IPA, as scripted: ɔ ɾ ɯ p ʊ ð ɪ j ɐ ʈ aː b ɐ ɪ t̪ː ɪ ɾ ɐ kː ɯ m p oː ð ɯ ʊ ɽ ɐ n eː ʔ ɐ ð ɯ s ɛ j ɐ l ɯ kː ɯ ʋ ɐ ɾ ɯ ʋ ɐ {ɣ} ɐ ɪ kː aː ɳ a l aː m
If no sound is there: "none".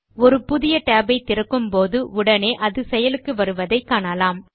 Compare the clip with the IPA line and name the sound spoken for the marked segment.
ð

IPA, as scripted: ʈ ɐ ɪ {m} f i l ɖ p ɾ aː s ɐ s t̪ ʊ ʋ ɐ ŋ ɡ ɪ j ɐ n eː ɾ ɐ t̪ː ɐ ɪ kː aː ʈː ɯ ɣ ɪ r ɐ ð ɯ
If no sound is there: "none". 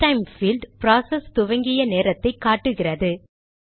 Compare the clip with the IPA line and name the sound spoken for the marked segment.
m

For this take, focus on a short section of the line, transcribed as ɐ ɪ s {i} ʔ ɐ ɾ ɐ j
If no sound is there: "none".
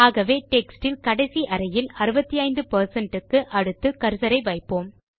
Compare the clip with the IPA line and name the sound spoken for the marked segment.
i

